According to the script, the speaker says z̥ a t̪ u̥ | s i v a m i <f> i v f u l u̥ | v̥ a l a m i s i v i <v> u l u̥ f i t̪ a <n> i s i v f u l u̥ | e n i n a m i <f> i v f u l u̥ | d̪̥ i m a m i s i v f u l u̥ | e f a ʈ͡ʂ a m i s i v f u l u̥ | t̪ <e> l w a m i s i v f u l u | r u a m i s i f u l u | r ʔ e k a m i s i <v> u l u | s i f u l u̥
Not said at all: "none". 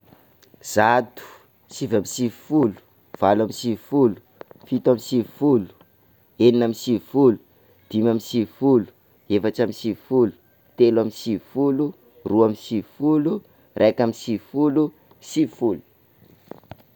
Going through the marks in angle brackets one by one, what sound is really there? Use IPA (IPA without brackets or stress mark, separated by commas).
s, f, m, s, e, f